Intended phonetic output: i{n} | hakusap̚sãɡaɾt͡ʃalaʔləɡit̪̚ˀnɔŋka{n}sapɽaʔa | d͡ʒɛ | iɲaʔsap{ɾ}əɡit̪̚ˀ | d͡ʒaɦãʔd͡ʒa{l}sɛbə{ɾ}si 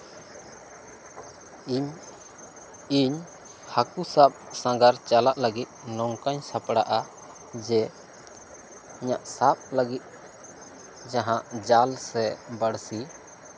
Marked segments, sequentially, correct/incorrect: incorrect: ɲ, incorrect: ɲ, incorrect: l, correct, incorrect: ɽ

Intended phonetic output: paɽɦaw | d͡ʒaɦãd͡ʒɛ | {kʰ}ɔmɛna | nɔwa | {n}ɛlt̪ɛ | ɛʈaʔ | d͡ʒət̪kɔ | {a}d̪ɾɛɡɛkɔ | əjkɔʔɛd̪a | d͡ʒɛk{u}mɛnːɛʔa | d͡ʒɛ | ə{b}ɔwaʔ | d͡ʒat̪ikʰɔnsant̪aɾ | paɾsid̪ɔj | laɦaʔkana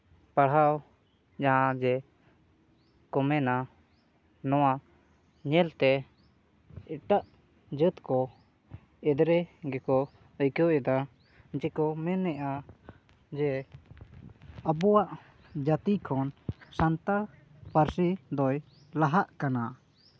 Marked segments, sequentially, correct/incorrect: incorrect: k, incorrect: ɲ, incorrect: ɛ, incorrect: ɔ, correct

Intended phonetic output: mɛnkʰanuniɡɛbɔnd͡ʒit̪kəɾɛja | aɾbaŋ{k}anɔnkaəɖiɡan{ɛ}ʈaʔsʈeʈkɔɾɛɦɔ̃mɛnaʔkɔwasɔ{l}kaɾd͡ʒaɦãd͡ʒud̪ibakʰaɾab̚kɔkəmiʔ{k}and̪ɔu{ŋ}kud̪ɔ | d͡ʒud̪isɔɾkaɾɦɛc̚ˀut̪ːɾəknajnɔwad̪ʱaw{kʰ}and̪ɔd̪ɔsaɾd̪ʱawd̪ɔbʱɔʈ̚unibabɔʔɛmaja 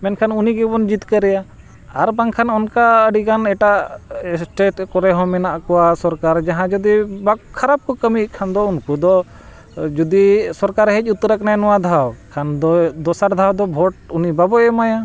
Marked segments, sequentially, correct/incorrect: incorrect: kʰ, correct, incorrect: ɾ, incorrect: kʰ, incorrect: n, correct

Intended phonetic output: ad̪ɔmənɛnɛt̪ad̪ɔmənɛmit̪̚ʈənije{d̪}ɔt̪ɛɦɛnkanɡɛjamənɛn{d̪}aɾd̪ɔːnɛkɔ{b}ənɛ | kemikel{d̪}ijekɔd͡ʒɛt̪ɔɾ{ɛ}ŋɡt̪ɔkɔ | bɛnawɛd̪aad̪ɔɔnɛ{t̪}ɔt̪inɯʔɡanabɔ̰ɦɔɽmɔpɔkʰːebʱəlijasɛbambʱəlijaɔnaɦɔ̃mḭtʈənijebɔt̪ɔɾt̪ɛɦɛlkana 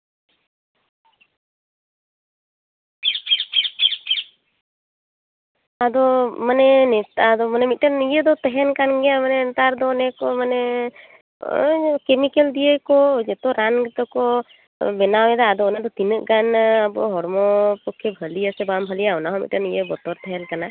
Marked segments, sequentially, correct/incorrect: correct, incorrect: t̪, incorrect: m, correct, incorrect: a, incorrect: d̪

